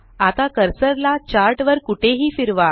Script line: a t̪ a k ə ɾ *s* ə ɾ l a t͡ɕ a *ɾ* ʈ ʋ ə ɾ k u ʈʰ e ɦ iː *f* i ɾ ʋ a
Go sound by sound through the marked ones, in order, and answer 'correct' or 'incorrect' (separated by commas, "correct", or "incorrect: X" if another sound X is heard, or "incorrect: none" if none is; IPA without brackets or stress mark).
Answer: correct, correct, correct